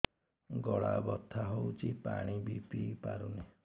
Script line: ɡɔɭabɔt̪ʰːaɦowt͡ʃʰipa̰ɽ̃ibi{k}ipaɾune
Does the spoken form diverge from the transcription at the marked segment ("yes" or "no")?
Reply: yes